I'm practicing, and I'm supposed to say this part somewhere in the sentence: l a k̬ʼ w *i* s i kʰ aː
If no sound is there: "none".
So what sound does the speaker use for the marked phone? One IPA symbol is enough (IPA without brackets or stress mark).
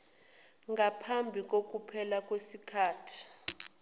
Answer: e